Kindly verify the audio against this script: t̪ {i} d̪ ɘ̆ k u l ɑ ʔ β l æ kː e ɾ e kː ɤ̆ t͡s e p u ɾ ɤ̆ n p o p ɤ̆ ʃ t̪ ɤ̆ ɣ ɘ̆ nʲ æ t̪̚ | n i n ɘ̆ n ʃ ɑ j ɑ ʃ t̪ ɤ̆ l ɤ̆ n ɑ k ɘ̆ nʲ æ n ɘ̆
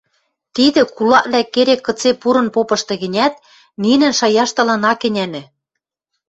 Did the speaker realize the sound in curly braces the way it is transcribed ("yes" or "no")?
yes